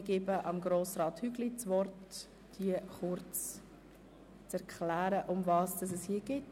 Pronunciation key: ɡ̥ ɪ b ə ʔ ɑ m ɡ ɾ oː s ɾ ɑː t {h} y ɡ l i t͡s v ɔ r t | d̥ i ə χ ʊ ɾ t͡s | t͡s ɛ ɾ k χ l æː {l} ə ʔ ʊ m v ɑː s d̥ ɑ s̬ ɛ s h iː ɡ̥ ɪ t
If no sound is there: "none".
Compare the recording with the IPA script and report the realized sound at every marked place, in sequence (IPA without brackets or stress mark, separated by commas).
h, ɾ